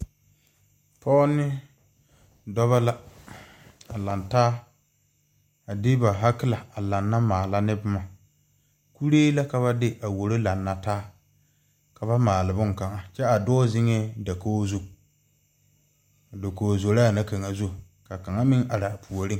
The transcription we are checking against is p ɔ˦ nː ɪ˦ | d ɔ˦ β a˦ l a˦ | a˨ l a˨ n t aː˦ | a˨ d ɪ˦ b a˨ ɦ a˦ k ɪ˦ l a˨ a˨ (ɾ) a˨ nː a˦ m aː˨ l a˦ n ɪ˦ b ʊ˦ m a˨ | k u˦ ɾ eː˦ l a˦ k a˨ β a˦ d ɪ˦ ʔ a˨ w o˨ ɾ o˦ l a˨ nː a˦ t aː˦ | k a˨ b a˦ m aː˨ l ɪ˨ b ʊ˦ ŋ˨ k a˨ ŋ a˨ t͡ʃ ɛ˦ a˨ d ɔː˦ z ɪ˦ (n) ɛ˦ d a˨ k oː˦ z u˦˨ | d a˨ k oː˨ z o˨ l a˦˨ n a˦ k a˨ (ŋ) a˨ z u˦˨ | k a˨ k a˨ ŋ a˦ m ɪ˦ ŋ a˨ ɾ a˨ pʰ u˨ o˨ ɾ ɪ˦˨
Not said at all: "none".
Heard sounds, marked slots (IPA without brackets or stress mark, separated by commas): l, ŋ, ŋ